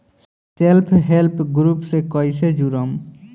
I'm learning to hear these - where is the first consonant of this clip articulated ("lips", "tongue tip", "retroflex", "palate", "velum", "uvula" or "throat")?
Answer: tongue tip